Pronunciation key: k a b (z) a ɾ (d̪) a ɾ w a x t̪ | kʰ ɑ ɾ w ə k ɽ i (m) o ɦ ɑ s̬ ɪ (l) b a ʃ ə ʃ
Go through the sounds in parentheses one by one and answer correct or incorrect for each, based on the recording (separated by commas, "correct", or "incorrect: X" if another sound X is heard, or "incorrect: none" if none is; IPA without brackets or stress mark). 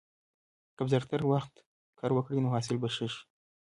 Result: correct, incorrect: t̪, incorrect: n, correct